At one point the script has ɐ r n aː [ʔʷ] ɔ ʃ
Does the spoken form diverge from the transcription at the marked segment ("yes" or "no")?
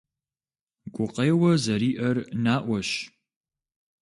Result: no